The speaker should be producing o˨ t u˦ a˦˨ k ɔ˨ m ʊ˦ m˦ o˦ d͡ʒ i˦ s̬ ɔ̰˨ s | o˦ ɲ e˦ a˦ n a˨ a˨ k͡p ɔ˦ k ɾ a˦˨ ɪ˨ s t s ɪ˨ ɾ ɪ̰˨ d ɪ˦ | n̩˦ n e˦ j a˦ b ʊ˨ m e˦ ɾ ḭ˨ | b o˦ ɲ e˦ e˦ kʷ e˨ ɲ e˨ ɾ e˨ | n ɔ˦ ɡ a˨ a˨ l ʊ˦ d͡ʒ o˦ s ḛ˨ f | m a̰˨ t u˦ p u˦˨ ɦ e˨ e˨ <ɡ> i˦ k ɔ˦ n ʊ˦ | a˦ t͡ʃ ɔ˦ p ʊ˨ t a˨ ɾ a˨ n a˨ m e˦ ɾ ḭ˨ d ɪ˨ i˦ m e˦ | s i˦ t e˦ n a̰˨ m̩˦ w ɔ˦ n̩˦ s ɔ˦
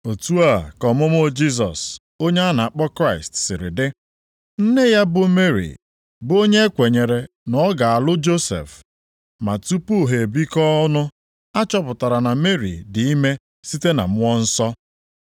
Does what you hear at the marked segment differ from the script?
yes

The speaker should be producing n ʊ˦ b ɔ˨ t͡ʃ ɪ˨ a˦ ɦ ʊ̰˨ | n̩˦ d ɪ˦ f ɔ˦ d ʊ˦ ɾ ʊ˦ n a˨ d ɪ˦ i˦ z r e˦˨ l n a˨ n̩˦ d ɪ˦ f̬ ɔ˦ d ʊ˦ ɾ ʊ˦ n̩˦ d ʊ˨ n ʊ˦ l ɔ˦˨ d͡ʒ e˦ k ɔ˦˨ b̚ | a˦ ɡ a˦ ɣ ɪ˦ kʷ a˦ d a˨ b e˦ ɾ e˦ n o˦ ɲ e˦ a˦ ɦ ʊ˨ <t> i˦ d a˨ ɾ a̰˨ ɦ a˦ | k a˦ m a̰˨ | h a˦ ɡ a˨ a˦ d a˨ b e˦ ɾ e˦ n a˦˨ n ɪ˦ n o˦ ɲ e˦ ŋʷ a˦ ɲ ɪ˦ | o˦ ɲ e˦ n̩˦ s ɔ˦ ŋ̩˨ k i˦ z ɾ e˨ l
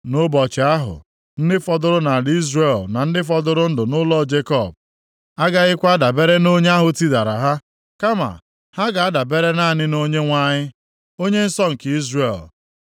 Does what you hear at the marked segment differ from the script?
no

